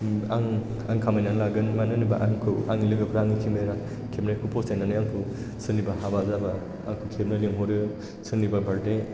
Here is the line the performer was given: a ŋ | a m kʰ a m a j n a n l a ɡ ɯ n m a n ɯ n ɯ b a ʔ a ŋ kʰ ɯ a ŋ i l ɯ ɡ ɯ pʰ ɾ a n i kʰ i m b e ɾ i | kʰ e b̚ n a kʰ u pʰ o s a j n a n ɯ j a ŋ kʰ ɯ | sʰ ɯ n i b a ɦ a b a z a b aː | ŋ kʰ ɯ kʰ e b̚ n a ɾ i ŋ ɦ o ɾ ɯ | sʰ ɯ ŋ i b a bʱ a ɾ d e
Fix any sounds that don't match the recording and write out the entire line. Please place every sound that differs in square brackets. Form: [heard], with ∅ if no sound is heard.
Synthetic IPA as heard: a ŋ | a [ŋ] kʰ a m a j n a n l a ɡ ɯ n m a n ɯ n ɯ b a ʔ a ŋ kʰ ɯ a ŋ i l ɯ ɡ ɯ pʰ ɾ a [ŋ] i kʰ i m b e ɾ [a] | kʰ e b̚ n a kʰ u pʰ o s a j n a n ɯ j a ŋ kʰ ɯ | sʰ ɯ n i b a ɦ a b a z a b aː | ŋ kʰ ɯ kʰ e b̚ n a [l] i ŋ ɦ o ɾ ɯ | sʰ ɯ [n] i b a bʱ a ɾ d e